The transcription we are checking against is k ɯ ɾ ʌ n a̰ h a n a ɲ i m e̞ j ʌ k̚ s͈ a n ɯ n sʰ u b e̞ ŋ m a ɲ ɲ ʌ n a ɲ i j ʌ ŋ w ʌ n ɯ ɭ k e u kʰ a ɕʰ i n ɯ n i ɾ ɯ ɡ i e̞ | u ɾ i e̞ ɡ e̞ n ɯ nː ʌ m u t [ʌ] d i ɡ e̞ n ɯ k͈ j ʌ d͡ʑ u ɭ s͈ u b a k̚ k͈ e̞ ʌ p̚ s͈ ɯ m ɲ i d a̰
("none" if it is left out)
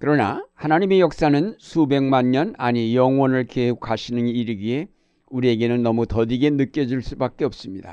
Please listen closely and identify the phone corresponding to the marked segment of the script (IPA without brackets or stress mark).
ʌ